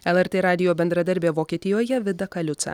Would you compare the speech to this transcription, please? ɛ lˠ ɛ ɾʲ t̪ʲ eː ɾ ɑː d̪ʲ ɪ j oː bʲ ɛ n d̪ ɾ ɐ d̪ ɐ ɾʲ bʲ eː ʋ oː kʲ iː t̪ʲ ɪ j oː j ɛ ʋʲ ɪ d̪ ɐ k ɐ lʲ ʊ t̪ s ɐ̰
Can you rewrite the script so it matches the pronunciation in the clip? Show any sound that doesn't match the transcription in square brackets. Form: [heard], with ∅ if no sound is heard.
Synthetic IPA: ɛ lˠ ɛ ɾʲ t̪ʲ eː ɾ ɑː d̪ʲ ɪ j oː bʲ ɛ n d̪ ɾ ɐ d̪ ɐ ɾʲ bʲ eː ʋ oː kʲ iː t̪ʲ ɪ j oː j ɛ ʋʲ ɪ d̪ ɐ k ɐ lʲ ʊ t̪ s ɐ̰